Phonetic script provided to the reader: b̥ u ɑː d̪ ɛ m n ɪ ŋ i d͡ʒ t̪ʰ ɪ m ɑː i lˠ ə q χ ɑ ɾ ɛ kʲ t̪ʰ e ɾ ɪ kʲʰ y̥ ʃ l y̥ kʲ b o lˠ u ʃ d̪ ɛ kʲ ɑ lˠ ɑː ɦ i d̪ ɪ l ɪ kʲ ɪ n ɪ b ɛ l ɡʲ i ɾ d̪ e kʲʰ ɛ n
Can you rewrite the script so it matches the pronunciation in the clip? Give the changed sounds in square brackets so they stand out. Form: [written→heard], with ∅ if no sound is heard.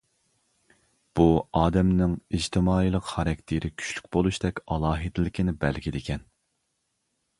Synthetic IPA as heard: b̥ u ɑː d̪ ɛ m n ɪ ŋ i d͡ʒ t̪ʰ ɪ m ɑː i lˠ ə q χ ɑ ɾ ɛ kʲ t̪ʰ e ɾ ɪ kʲʰ y̥ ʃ l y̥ kʲ b o lˠ u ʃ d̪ ɛ kʲ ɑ lˠ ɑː ɦ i d̪ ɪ l ɪ kʲ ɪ n ɪ b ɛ l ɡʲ i [ɾ→∅] d̪ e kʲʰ ɛ n

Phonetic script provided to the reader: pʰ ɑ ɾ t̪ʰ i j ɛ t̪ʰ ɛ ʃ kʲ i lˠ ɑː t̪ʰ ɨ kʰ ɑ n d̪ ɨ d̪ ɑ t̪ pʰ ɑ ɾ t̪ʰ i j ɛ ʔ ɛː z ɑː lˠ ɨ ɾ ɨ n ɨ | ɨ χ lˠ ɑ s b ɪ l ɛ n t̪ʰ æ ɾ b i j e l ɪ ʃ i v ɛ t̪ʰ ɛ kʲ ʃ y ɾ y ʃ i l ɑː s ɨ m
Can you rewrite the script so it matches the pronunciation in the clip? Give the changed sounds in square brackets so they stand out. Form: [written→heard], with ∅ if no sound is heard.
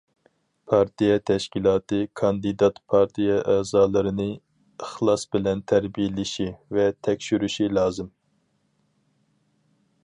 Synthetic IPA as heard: pʰ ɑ ɾ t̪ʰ i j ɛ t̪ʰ ɛ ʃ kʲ i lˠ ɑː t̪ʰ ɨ kʰ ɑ n d̪ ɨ d̪ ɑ t̪ pʰ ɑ ɾ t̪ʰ i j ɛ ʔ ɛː z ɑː lˠ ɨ ɾ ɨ n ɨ | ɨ χ lˠ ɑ s b ɪ l ɛ n t̪ʰ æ ɾ b i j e l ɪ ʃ i v ɛ t̪ʰ ɛ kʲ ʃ y ɾ y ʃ i l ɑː [s→z] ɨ m

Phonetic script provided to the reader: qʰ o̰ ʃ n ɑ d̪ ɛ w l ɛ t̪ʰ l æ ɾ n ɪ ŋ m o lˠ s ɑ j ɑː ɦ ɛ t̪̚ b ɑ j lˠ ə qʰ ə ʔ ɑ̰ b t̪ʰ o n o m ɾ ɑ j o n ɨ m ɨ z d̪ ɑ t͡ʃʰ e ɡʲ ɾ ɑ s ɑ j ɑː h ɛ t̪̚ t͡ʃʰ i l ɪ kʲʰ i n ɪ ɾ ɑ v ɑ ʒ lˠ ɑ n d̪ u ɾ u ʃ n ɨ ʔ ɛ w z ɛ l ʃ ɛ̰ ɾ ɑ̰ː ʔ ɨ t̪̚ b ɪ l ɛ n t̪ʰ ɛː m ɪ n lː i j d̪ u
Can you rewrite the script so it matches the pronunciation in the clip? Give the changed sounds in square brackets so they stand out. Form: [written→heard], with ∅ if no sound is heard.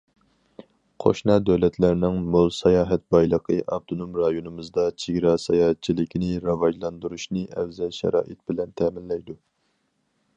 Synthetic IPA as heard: qʰ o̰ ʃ n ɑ d̪ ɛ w l ɛ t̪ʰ l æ ɾ n ɪ ŋ m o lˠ s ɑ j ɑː ɦ ɛ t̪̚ b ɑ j lˠ ə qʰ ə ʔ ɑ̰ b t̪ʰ o n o m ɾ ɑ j o n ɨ m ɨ z d̪ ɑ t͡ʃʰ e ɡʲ ɾ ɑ s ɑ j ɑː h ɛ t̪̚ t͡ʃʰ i l ɪ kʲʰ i n ɪ ɾ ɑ v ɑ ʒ lˠ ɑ n d̪ u ɾ u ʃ n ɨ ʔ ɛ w z ɛ l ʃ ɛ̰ ɾ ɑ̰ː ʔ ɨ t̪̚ b ɪ l ɛ n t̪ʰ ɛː m ɪ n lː [i→ɛ] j d̪ u

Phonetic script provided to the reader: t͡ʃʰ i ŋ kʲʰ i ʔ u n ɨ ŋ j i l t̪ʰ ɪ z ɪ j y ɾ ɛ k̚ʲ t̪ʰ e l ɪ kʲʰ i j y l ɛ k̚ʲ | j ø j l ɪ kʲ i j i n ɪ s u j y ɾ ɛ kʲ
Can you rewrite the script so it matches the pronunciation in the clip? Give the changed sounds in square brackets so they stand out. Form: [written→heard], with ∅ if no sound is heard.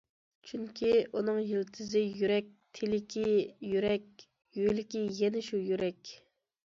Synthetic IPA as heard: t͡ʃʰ [i→y] ŋ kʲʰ i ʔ u n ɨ ŋ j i l t̪ʰ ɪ z ɪ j y ɾ ɛ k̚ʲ t̪ʰ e l ɪ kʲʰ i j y [l→ɾ] ɛ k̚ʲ | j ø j l ɪ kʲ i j [i→ɛ] n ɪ [s→ʃ] u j y ɾ ɛ kʲ

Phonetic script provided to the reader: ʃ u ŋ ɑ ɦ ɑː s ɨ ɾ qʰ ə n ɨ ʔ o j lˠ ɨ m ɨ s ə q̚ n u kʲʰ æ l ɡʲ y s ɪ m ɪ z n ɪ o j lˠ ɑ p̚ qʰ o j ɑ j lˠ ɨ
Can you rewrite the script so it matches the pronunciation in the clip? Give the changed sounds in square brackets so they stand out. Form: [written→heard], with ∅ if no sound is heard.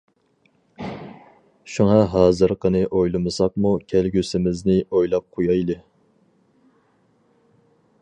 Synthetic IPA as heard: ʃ u ŋ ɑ ɦ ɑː [s→z] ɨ ɾ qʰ ə n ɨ ʔ o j lˠ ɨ m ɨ s [ə→ɑ] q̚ [n→m] u kʲʰ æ l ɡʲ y s ɪ m ɪ z n ɪ o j lˠ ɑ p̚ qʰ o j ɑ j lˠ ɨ

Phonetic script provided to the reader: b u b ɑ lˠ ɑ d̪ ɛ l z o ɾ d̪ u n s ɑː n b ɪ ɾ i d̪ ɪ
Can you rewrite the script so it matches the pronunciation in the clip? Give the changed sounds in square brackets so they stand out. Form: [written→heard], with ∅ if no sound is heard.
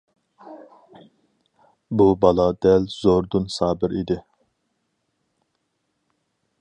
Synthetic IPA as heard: b u b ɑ lˠ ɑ d̪ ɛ l z o ɾ d̪ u n s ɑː [n→∅] b ɪ ɾ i d̪ ɪ

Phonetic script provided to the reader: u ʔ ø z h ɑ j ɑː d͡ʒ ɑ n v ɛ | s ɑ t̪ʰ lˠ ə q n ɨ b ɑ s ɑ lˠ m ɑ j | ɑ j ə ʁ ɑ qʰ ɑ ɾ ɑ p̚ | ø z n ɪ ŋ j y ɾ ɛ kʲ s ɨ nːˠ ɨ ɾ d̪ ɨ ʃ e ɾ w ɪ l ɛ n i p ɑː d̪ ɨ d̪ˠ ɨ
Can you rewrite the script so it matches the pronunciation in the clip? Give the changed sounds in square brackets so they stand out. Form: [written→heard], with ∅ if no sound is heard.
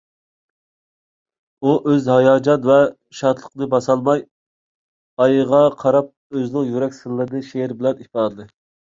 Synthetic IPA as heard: u ʔ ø z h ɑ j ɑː d͡ʒ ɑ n v ɛ | [s→ʃ] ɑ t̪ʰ lˠ ə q n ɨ b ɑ s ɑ lˠ m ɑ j | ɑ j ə ʁ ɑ qʰ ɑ ɾ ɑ p̚ | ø z n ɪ ŋ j y ɾ ɛ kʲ s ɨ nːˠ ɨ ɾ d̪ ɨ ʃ e ɾ [w→b] ɪ l ɛ n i p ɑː d̪ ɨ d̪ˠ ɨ

